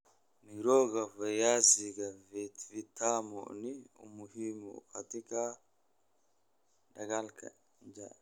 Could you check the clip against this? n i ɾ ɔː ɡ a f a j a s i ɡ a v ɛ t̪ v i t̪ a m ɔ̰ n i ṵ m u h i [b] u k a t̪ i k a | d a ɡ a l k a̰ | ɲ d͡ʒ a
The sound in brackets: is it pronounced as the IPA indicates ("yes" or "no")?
no